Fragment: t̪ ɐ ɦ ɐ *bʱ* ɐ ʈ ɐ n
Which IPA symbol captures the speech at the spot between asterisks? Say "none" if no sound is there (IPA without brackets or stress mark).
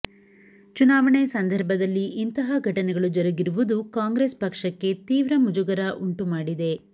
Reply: ɡʱ